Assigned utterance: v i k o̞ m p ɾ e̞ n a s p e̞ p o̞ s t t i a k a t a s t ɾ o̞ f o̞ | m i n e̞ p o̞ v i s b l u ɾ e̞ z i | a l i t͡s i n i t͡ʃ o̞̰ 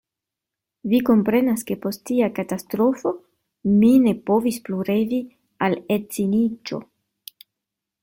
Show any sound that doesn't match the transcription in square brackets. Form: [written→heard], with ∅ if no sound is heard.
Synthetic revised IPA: v i k o̞ m p ɾ e̞ n a s [p→k] e̞ p o̞ s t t i a k a t a s t ɾ o̞ f o̞ | m i n e̞ p o̞ v i s [b→p] l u ɾ e̞ [z→v] i | a l [i→e] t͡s i n i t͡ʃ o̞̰